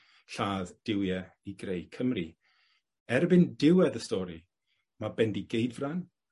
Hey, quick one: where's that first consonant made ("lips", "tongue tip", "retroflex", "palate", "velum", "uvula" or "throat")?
tongue tip